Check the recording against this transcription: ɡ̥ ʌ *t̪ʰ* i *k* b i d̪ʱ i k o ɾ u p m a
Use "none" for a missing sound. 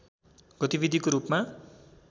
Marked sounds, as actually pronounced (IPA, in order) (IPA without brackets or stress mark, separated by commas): t̪, none